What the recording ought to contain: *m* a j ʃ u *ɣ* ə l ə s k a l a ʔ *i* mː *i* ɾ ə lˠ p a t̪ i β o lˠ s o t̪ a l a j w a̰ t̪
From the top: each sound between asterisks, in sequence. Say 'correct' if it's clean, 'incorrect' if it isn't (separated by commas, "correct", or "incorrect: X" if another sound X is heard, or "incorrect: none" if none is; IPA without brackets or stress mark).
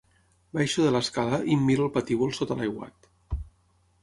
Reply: incorrect: b, incorrect: ð, correct, correct